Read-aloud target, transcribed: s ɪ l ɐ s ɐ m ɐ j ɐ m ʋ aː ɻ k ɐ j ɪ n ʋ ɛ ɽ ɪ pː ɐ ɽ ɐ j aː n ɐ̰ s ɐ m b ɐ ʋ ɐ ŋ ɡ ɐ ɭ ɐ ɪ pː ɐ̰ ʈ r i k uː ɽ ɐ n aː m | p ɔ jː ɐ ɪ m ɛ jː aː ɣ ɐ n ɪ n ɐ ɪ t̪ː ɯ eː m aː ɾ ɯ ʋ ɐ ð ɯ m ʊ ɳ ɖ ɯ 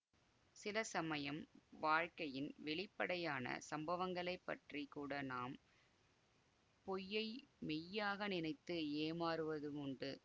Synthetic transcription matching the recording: s ɪ l ɐ s ɐ m ɐ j ɐ m ʋ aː ɻ k ɐ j ɪ n ʋ ɛ ɭ ɪ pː ɐ ɽ ɐ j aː n ɐ̰ s ɐ m b ɐ ʋ ɐ ŋ ɡ ɐ ɭ ɐ ɪ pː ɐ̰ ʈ r i k uː ɽ ɐ n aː m | p ɔ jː ɐ ɪ m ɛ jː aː ɣ ɐ n ɪ n ɐ ɪ t̪ː ɯ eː m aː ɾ ɯ ʋ ɐ ð ɯ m ʊ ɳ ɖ ɯ